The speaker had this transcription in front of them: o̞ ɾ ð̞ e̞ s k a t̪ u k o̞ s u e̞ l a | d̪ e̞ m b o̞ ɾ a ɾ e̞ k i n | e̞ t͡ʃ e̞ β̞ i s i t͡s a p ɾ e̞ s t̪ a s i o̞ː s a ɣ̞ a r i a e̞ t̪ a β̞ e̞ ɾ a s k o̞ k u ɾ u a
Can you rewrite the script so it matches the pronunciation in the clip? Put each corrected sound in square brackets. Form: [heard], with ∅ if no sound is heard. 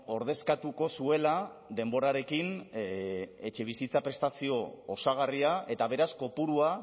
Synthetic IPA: o̞ ɾ ð̞ e̞ s k a t̪ u k o̞ s u e̞ l a | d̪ e̞ m b o̞ ɾ a ɾ e̞ k i n | e̞ t͡ʃ e̞ β̞ i s i t͡s a p ɾ e̞ s t̪ a s i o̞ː s a ɣ̞ a r i a e̞ t̪ a β̞ e̞ ɾ a s k o̞ [p] u ɾ u a